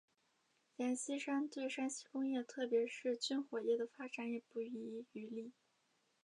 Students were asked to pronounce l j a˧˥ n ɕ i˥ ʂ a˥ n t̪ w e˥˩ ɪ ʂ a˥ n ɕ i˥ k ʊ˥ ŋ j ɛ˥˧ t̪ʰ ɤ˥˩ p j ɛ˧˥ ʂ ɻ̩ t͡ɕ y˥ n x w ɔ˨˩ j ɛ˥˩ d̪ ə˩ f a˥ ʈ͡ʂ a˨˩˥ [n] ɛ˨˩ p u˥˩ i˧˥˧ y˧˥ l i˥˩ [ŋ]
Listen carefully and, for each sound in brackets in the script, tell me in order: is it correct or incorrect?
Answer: correct, incorrect

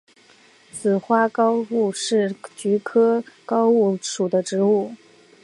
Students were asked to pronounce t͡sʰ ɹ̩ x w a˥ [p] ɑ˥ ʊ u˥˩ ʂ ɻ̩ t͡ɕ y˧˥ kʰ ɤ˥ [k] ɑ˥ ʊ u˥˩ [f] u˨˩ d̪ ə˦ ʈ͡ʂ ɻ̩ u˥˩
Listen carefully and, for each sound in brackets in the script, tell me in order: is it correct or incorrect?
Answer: incorrect, correct, incorrect

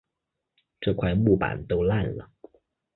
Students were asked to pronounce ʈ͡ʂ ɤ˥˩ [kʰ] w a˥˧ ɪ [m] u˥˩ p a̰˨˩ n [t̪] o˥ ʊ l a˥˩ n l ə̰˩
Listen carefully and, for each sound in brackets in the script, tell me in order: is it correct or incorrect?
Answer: correct, correct, correct

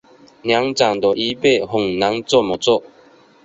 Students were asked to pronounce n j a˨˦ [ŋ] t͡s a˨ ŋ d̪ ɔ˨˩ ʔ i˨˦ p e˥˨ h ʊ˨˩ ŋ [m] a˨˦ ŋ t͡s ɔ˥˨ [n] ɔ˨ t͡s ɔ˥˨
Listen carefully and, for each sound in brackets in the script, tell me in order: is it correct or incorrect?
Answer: correct, incorrect, incorrect

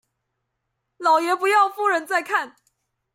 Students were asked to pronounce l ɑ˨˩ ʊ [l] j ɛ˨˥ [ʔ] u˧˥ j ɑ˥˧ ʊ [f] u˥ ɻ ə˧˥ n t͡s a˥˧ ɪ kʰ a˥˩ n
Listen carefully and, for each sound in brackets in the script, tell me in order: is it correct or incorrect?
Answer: incorrect, incorrect, correct

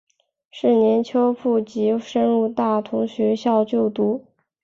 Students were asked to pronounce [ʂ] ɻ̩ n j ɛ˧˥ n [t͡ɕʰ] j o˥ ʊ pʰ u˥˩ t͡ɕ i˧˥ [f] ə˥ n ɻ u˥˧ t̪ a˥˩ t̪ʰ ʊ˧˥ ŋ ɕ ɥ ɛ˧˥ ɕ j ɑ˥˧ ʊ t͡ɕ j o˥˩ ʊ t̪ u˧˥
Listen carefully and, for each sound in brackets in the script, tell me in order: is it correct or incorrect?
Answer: correct, correct, incorrect

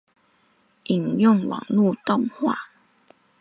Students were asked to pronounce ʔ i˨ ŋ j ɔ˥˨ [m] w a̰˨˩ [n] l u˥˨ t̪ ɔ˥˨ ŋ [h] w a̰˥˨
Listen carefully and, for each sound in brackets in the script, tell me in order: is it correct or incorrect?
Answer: incorrect, incorrect, correct

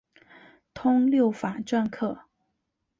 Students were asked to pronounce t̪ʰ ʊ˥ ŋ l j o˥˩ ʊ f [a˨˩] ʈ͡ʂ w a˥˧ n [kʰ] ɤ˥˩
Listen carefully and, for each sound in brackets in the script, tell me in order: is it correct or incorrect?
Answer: correct, correct

